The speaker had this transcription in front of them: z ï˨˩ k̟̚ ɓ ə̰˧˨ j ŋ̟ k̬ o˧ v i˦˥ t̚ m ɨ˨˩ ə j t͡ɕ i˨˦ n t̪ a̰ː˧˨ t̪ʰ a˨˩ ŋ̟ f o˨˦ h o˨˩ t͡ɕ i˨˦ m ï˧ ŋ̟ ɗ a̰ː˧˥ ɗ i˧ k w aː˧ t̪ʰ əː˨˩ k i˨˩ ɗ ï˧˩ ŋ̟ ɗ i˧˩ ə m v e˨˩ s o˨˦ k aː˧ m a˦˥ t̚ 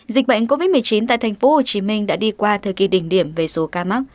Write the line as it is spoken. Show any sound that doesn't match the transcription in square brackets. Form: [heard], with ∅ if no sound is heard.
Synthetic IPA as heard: z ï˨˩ k̟̚ ɓ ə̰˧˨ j ŋ̟ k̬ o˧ v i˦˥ t̚ m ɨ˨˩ ə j t͡ɕ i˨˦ n t̪ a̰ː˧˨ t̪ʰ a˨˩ ŋ̟ f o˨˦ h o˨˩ t͡ɕ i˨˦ m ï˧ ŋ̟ ɗ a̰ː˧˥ ɗ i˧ k w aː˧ t̪ʰ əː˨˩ k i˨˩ ɗ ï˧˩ ŋ̟ ɗ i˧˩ ə m v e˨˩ s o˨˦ k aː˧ m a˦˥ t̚

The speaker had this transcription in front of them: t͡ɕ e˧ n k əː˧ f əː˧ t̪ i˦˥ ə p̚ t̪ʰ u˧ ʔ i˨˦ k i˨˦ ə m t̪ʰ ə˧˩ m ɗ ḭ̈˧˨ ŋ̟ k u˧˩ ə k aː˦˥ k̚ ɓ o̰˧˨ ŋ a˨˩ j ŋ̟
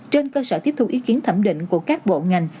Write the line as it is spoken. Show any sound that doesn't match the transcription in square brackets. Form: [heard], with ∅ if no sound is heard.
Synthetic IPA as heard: t͡ɕ e˧ n k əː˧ [s] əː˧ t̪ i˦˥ ə p̚ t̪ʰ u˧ ʔ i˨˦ k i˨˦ ə [n] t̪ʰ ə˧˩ m ɗ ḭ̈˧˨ ŋ̟ k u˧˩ ə k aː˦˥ k̚ ɓ o̰˧˨ ŋ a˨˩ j ŋ̟

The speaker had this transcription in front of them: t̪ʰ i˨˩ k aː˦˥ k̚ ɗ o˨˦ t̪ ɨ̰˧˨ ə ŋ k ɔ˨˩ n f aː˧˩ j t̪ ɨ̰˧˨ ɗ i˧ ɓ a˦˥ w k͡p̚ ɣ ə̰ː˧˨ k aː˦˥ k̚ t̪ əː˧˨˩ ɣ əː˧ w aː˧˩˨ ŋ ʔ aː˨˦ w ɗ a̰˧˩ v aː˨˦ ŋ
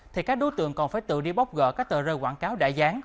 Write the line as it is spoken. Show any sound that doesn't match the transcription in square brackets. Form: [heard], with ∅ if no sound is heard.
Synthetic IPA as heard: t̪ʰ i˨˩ k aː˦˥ k̚ ɗ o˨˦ t̪ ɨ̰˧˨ ə ŋ k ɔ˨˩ n f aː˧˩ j t̪ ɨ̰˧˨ ɗ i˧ ɓ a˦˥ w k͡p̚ ɣ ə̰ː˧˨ k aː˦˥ k̚ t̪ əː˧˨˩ [z] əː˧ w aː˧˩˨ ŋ [k] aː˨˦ w ɗ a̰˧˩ [z] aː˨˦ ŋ

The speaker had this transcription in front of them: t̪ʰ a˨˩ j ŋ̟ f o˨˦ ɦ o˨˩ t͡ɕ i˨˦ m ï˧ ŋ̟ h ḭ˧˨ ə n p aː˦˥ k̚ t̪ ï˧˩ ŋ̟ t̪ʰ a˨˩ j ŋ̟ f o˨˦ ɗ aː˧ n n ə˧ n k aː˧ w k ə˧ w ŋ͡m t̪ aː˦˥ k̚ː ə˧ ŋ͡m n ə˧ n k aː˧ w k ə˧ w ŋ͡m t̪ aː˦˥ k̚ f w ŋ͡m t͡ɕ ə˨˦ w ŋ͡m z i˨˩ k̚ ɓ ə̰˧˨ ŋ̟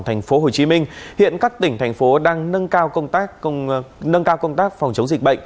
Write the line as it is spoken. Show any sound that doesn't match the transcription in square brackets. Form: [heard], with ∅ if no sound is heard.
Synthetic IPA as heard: t̪ʰ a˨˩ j ŋ̟ f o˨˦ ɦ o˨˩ t͡ɕ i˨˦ m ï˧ ŋ̟ h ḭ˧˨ ə n [k] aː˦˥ k̚ t̪ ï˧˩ ŋ̟ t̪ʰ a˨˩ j ŋ̟ f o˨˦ ɗ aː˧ [ŋ] n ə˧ n k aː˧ w k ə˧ w ŋ͡m t̪ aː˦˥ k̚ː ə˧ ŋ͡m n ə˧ n k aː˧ w k ə˧ w ŋ͡m t̪ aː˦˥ k̚ f w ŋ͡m t͡ɕ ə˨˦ w ŋ͡m z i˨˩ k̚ ɓ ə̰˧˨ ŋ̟

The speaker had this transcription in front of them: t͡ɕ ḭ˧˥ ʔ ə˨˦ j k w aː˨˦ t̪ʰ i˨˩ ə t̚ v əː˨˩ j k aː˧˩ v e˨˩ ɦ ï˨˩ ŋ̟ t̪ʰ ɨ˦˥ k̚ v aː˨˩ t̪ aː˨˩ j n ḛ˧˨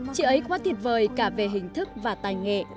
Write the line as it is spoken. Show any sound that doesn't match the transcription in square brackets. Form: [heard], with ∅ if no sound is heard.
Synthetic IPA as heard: t͡ɕ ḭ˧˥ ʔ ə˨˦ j k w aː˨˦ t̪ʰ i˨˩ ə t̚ v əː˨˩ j k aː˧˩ v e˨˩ ɦ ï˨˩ ŋ̟ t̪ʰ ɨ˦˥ k̚ v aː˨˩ t̪ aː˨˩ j [ŋ] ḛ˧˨

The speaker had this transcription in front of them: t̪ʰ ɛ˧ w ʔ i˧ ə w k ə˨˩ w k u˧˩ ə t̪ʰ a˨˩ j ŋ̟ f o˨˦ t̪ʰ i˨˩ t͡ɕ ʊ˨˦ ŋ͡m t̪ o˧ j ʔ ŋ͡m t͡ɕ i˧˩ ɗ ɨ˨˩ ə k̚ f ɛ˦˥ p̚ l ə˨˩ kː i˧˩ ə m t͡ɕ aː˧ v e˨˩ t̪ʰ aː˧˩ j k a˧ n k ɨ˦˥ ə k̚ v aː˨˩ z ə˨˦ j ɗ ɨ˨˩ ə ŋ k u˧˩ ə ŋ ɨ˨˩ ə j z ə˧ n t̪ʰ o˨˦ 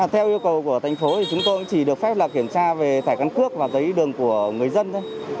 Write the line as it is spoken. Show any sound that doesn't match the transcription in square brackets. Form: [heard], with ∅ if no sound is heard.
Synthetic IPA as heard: t̪ʰ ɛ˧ w ʔ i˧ ə w k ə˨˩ w k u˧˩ ə t̪ʰ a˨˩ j ŋ̟ f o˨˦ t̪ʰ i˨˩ t͡ɕ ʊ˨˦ ŋ͡m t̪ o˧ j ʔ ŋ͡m t͡ɕ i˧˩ ɗ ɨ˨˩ ə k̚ f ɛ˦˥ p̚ l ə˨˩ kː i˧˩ ə m t͡ɕ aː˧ v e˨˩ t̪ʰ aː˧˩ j k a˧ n k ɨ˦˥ ə k̚ v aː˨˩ z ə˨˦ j ɗ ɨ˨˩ ə ŋ k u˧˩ ə ŋ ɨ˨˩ ə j z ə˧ n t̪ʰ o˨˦

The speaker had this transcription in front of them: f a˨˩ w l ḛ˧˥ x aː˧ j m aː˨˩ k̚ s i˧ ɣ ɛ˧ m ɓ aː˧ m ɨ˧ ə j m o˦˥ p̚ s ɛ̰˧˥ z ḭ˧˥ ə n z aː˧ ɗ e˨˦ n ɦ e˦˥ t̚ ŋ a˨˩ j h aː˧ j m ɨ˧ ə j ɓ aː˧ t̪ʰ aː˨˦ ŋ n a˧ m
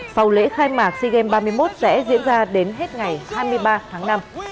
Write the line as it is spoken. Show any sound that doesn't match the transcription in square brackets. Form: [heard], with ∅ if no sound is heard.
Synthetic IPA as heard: f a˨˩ w l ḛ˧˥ x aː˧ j m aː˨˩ k̚ s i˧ ɣ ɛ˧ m ɓ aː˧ m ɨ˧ ə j m o˦˥ [t̚] s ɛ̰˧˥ z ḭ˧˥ ə n z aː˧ ɗ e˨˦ n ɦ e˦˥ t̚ ŋ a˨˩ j h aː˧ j m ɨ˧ ə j ɓ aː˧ t̪ʰ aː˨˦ ŋ n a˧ m

